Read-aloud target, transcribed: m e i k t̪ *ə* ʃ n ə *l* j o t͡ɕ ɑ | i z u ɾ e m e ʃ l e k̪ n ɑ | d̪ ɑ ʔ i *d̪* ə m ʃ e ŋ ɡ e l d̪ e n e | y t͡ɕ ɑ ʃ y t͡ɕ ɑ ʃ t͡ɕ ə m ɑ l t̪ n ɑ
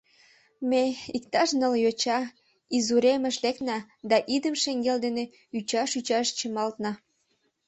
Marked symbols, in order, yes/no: no, yes, yes

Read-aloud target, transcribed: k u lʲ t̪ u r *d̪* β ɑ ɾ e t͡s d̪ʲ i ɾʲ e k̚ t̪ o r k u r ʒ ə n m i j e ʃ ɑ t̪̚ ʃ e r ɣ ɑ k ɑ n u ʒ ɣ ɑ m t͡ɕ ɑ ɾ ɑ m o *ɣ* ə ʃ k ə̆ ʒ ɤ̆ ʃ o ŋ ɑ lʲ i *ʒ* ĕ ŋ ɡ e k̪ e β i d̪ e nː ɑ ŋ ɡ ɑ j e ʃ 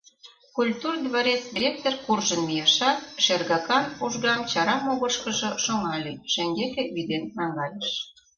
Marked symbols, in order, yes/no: yes, yes, no

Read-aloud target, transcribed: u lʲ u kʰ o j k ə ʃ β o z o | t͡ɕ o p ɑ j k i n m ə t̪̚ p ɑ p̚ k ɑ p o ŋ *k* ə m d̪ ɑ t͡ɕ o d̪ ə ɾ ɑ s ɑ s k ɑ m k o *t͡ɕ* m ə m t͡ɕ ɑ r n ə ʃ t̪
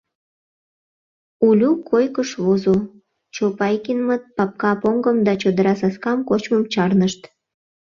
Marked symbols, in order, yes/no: no, yes

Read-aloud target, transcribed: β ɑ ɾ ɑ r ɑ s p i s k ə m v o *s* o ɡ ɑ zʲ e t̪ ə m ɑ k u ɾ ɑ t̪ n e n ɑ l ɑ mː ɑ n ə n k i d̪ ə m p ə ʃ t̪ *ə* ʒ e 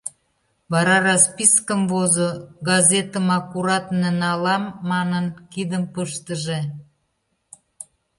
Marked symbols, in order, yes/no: no, yes

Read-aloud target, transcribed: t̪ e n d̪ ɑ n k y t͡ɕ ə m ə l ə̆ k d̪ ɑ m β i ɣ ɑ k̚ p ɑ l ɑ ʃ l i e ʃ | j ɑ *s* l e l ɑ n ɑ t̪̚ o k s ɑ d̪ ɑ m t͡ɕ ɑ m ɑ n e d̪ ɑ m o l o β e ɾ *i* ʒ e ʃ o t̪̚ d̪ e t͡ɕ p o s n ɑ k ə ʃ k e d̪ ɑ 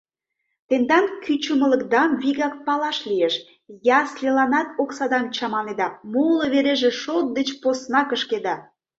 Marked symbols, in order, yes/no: yes, no

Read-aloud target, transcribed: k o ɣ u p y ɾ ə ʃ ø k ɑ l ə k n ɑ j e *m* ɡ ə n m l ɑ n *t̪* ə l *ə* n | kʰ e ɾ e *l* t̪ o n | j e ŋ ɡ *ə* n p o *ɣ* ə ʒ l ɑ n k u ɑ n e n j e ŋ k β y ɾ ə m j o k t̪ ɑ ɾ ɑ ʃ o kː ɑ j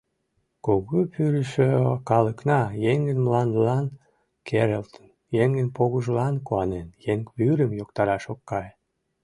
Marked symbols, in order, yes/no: no, no, no, yes, yes, yes

